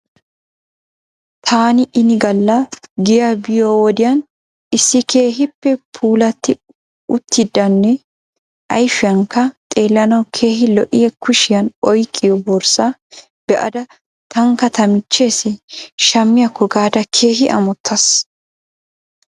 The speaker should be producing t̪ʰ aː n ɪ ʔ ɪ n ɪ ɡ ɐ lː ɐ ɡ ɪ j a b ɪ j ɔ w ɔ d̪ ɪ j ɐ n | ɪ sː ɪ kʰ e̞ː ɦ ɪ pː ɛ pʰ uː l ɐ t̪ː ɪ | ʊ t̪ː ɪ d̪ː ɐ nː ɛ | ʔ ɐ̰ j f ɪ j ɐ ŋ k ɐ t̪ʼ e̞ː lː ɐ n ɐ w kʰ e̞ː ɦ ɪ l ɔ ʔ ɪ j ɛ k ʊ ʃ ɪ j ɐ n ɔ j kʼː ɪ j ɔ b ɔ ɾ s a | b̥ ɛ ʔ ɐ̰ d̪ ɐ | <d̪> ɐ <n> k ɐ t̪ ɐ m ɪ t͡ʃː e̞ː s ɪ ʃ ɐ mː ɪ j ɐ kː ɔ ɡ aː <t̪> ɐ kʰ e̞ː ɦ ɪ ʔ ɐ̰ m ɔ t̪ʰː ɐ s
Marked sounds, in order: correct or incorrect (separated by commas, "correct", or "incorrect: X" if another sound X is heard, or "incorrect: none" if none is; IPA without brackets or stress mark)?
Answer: incorrect: t̪, incorrect: ŋ, incorrect: d̪